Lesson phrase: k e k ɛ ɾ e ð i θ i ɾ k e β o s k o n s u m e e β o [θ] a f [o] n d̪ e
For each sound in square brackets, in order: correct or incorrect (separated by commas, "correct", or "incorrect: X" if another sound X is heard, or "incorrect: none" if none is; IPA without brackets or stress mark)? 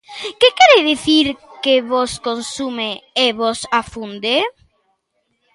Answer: incorrect: s, incorrect: u